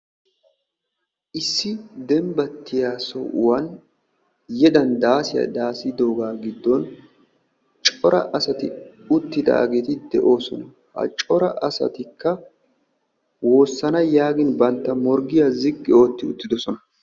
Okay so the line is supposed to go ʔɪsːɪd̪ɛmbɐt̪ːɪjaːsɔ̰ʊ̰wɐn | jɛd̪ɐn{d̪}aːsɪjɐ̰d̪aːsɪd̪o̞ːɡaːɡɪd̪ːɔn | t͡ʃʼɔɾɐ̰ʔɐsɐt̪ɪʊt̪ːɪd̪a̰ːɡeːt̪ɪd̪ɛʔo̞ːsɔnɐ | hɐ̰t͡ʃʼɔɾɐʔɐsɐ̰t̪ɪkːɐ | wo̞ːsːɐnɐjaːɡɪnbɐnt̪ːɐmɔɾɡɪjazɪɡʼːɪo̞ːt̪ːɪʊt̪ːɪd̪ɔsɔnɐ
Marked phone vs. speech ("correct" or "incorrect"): correct